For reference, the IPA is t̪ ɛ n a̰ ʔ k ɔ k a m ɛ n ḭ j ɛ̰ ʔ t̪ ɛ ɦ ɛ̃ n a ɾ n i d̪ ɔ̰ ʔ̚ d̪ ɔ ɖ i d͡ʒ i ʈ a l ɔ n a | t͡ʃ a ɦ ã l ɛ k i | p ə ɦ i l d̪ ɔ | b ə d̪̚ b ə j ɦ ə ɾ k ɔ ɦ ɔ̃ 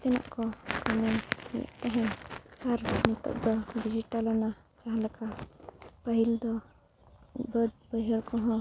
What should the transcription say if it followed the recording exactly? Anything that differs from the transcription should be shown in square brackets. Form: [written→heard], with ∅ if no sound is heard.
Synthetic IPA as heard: t̪ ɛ n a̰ ʔ k ɔ k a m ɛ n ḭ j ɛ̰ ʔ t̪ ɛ ɦ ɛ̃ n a ɾ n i [d̪→t̪] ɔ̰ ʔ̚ d̪ ɔ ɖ i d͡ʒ i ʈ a l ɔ n a | t͡ʃ a ɦ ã l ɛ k [i→a] | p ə ɦ i l d̪ ɔ | b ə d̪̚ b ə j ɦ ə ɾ k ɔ ɦ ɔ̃

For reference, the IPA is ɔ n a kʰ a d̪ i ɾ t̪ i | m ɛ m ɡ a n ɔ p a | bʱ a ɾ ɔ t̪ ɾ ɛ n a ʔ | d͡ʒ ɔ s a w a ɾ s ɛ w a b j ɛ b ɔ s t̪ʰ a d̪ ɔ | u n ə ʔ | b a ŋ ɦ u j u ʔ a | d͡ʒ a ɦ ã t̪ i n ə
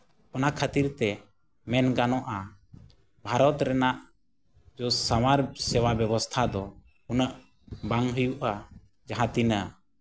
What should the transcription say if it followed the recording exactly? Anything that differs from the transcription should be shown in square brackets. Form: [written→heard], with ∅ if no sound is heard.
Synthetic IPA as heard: ɔ n a kʰ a [d̪→t̪] i ɾ t̪ [i→ɛ] | m ɛ [m→n] ɡ a n ɔ [p→ʔ] a | bʱ a ɾ ɔ t̪ ɾ ɛ n a ʔ | d͡ʒ ɔ s a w a ɾ s ɛ w a b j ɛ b ɔ s t̪ʰ a d̪ ɔ | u n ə ʔ | b a ŋ ɦ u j u ʔ a | d͡ʒ a ɦ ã t̪ i n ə

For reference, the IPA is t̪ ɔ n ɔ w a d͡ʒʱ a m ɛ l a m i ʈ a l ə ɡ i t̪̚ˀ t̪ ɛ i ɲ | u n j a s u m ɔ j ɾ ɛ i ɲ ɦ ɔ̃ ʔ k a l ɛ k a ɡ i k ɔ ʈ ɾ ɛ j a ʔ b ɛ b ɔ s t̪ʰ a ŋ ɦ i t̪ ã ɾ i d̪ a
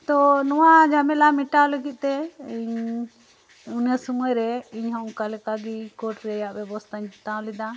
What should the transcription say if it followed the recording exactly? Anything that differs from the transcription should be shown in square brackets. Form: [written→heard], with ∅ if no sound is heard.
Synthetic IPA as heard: t̪ ɔ n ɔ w a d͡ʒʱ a m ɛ l a m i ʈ a l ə ɡ i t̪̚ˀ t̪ ɛ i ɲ | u n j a s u m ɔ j ɾ ɛ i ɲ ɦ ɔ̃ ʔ k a l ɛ k a ɡ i k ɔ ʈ ɾ ɛ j a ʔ b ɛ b ɔ s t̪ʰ a [ŋ→ɲ] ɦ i t̪ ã [ɾ→l] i d̪ a

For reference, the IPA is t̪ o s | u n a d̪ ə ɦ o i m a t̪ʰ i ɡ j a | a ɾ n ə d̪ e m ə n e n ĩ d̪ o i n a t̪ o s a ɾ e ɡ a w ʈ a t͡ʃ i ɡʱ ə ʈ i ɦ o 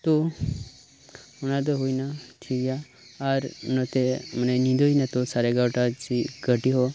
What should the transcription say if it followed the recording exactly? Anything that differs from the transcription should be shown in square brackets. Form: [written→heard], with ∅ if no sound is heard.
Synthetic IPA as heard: t̪ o [s→∅] | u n a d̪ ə ɦ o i [m→n] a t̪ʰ i ɡ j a | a ɾ n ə [d̪→t̪] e m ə n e n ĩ d̪ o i n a t̪ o s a ɾ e ɡ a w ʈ a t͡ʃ i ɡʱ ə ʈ i ɦ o

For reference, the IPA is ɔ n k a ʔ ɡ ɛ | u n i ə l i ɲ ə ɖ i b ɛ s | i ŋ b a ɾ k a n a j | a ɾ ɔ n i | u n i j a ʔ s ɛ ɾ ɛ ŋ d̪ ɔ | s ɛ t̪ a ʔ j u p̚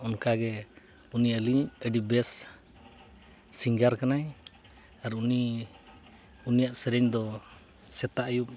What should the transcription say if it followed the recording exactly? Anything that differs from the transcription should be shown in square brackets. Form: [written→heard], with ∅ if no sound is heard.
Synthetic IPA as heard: ɔ n k a [ʔ→∅] ɡ ɛ | u n i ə l i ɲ ə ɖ i b ɛ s | i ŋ [b→ɡ] a ɾ k a n a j | a ɾ [ɔ→u] n i | u n i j a ʔ s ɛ ɾ ɛ [ŋ→ɲ] d̪ ɔ | s ɛ t̪ a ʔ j u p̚

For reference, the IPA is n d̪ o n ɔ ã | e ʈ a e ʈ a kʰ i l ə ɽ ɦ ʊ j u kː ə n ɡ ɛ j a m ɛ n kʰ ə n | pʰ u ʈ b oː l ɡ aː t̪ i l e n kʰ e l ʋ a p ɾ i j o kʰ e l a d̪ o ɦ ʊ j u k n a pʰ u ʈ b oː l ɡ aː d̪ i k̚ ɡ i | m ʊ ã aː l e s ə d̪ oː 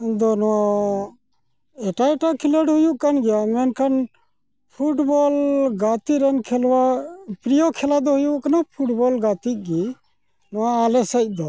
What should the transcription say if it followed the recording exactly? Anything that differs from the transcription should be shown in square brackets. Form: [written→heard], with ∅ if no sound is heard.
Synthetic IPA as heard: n d̪ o n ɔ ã | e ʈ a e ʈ a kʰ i l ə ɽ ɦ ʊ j u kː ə n ɡ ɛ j a m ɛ n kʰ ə n | pʰ u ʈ b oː l ɡ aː t̪ i [l→ɾ] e n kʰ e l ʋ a p ɾ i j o kʰ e l a d̪ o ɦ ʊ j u k n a pʰ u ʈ b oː l ɡ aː [d̪→t̪] i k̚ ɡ i | [m→n] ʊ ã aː l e s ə d̪ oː

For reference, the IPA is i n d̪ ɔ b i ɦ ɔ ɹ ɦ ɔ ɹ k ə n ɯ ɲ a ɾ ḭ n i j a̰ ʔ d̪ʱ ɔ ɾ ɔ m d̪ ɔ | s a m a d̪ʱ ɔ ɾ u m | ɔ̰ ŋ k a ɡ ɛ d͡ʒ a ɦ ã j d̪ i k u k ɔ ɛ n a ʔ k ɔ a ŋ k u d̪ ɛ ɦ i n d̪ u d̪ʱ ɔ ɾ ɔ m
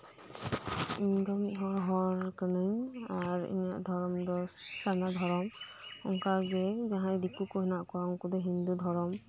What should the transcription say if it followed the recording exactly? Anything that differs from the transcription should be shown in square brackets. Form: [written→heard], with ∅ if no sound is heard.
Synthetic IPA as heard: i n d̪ ɔ [b→m] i ɦ ɔ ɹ ɦ ɔ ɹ k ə n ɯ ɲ a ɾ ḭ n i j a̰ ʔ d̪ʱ ɔ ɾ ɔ m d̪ ɔ | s a [m→n] a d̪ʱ ɔ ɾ [u→ɔ] m | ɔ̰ ŋ k a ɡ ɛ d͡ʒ a ɦ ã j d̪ i k u k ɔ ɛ n a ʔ k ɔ a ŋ k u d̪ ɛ ɦ i n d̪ u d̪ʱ ɔ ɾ ɔ m

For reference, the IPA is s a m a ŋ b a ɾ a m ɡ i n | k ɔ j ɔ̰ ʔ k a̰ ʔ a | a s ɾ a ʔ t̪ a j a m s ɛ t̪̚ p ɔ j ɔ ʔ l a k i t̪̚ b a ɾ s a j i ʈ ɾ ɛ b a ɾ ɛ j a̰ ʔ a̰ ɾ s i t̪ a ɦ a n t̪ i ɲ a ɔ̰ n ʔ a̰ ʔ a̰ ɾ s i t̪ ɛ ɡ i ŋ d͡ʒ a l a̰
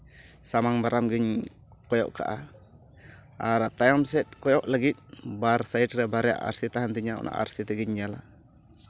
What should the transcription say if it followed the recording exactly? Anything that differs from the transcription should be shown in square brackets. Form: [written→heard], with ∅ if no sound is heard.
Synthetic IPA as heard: s a m a ŋ b a ɾ a m ɡ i [n→ɲ] | k ɔ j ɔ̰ ʔ k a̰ ʔ a | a [s→∅] ɾ a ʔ t̪ a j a m s ɛ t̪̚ [p→k] ɔ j ɔ ʔ l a [k→ɡ] i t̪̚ b a ɾ s a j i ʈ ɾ ɛ b a ɾ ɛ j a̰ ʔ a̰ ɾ s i t̪ a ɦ a n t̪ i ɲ a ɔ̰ n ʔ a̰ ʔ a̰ ɾ s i t̪ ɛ ɡ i [ŋ→ɲ] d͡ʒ a l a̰

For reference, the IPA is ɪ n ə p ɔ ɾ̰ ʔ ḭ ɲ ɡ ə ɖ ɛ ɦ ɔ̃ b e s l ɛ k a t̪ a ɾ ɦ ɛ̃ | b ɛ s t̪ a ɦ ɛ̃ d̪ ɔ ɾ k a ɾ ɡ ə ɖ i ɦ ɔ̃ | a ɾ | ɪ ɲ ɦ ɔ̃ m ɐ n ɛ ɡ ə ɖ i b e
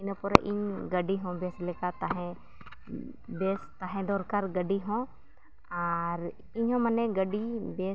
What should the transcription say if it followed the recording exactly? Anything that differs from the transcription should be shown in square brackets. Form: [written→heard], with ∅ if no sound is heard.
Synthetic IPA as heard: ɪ n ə p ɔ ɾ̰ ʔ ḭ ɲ ɡ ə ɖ [ɛ→i] ɦ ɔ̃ b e s l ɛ k a t̪ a [ɾ→∅] ɦ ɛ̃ | b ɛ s t̪ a ɦ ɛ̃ d̪ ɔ ɾ k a ɾ ɡ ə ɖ i ɦ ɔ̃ | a ɾ | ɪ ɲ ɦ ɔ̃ m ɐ n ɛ ɡ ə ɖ i b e

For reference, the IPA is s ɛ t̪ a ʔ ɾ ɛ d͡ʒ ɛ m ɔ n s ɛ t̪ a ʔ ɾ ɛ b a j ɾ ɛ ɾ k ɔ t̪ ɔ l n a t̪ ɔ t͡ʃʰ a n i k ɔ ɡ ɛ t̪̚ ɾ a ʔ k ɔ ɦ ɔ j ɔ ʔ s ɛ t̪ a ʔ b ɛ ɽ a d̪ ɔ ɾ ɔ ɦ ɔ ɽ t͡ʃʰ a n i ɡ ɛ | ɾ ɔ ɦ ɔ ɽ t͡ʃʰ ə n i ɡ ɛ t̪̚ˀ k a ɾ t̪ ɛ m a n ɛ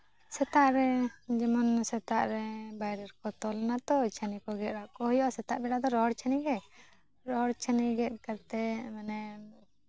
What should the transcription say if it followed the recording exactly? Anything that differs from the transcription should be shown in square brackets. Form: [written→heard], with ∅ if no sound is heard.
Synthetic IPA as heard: s ɛ t̪ a ʔ ɾ ɛ d͡ʒ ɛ m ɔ n s ɛ t̪ a ʔ ɾ ɛ b a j ɾ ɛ ɾ k ɔ t̪ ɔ l n a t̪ ɔ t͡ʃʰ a n i k ɔ ɡ ɛ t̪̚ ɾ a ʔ k ɔ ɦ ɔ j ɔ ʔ s ɛ t̪ a ʔ b ɛ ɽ a d̪ ɔ ɾ ɔ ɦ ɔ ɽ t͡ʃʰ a n i ɡ ɛ | ɾ ɔ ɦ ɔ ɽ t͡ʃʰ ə n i ɡ ɛ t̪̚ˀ k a ɾ t̪ ɛ m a n ɛ

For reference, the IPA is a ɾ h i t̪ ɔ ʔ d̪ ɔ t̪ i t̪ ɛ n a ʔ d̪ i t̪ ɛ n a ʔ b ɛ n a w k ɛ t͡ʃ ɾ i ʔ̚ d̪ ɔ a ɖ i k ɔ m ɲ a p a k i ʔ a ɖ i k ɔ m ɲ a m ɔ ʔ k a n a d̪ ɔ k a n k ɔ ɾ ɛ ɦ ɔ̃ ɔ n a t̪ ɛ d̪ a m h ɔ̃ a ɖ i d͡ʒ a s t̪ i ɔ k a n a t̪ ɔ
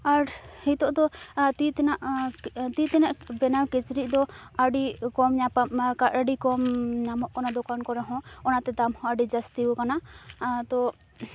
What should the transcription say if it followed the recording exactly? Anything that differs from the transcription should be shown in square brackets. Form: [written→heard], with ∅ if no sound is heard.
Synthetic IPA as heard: a ɾ h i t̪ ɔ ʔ d̪ ɔ t̪ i t̪ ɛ n a ʔ [d̪→t̪] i t̪ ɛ n a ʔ b ɛ n a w k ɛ t͡ʃ ɾ i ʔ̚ d̪ ɔ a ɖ i k ɔ m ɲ a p a k [i→a] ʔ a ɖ i k ɔ m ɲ a m ɔ ʔ k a n a d̪ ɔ k a n k ɔ ɾ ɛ ɦ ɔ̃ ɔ n a t̪ ɛ d̪ a m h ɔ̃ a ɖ i d͡ʒ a s t̪ i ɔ k a n a t̪ ɔ

